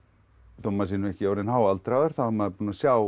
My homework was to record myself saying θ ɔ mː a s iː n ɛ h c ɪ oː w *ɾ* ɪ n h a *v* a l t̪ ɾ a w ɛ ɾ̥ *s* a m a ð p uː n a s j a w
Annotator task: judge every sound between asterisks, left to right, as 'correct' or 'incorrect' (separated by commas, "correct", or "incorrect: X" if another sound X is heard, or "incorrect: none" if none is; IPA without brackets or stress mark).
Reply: correct, incorrect: w, incorrect: θ